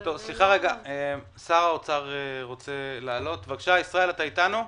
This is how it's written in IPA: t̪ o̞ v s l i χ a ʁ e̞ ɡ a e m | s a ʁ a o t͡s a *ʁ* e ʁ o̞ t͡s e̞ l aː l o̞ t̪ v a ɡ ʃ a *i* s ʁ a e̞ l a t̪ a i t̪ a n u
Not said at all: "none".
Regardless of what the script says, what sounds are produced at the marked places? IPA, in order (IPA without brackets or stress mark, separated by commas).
ʁ, i